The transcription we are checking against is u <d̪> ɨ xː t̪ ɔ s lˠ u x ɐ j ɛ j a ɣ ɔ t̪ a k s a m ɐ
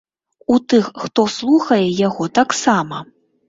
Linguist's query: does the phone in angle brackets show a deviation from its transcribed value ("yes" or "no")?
yes